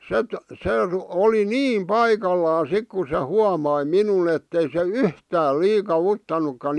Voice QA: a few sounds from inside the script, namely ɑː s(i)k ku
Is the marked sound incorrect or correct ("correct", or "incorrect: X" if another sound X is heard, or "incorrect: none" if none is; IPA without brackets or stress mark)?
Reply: correct